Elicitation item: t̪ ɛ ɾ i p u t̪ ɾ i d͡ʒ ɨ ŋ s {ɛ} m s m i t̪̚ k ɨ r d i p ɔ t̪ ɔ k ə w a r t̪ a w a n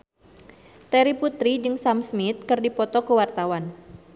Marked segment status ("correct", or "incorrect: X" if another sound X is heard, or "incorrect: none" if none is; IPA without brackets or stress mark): incorrect: a